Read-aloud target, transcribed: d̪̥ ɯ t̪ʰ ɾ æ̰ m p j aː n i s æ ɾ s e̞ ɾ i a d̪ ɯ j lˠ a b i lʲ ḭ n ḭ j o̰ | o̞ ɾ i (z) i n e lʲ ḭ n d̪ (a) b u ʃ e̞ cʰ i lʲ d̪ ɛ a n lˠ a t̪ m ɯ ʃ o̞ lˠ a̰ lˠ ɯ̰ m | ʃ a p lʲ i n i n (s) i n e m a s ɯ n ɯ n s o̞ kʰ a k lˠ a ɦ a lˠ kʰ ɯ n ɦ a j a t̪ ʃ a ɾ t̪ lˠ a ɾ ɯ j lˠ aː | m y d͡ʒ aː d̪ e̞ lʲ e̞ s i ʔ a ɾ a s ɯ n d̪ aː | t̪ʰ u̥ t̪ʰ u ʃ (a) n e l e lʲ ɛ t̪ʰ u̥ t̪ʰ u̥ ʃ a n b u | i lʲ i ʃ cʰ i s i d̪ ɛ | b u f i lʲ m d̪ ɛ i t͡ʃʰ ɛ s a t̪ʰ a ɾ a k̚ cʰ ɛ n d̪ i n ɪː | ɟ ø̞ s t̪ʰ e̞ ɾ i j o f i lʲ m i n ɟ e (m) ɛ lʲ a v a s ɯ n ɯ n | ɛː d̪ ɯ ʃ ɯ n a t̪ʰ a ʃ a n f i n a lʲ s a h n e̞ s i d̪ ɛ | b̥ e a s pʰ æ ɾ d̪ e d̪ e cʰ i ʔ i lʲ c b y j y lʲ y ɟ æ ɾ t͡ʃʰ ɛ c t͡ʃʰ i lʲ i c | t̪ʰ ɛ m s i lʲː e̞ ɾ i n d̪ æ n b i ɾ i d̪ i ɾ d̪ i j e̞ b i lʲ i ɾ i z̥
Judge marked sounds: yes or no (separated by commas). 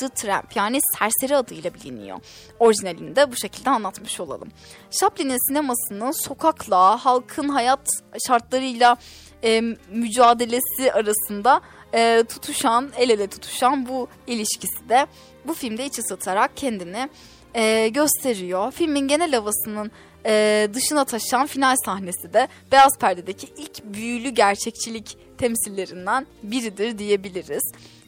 no, no, yes, yes, no